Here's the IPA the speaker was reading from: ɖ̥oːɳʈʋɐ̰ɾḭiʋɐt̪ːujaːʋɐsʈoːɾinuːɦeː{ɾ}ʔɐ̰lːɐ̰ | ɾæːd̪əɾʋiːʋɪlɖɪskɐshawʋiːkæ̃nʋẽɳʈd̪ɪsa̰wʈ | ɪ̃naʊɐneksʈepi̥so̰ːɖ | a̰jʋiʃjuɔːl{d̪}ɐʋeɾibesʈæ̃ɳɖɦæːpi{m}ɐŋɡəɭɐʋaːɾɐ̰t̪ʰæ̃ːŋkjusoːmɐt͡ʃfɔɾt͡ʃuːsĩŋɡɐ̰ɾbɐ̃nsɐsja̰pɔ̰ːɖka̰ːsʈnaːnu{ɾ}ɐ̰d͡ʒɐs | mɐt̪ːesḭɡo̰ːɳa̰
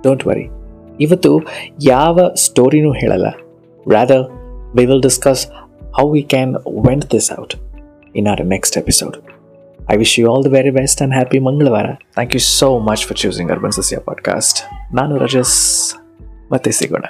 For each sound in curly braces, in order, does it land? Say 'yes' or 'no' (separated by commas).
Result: no, yes, yes, yes